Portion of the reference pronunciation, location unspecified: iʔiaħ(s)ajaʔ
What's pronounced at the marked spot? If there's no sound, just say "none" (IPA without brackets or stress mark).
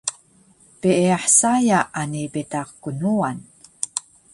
s